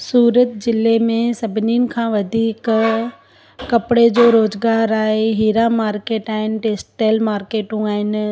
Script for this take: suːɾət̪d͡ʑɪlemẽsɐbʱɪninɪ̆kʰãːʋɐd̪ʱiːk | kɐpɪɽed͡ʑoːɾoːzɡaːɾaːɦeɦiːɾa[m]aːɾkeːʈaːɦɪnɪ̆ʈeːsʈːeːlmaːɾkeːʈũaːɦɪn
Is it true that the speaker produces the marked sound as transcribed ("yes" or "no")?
yes